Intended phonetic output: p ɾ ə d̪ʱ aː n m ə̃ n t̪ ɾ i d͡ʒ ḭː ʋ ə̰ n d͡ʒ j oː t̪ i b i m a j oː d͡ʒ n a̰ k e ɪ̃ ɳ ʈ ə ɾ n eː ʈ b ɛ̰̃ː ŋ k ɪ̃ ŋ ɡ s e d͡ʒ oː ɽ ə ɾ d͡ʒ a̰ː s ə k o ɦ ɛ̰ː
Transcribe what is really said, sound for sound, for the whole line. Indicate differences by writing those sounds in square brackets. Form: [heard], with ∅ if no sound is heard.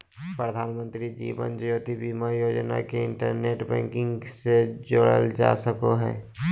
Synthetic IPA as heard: p ɾ ə d̪ʱ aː n m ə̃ n t̪ ɾ i d͡ʒ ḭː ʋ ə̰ n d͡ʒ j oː t̪ i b i m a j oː d͡ʒ n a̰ k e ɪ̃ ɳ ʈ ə ɾ n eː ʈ b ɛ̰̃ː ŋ k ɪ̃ ŋ ɡ s e d͡ʒ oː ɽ ə [l] d͡ʒ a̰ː s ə k o ɦ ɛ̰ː